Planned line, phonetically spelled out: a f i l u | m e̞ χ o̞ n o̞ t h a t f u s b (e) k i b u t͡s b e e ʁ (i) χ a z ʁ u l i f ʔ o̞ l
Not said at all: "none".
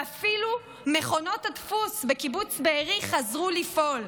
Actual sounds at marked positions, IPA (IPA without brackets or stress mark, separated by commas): e, i